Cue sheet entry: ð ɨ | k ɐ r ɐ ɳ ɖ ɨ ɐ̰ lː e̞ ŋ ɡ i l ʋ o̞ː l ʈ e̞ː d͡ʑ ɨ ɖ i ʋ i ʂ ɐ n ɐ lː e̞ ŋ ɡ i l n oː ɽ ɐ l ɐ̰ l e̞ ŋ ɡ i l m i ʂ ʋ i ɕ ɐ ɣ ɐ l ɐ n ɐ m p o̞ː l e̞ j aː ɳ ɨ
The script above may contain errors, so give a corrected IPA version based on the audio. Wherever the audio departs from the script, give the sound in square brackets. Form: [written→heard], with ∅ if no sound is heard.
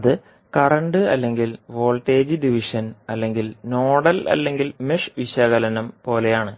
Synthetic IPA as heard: ð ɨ | k ɐ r ɐ ɳ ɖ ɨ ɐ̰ lː e̞ ŋ ɡ i l ʋ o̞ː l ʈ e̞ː d͡ʑ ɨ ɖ i ʋ i ʂ ɐ n ɐ lː e̞ ŋ ɡ i l n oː ɽ ɐ l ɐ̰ [l→lː] e̞ ŋ ɡ i l m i ʂ ʋ i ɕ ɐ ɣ ɐ l ɐ n ɐ m p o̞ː l e̞ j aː ɳ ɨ